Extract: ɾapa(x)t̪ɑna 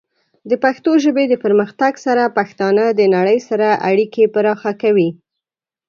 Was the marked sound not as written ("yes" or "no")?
no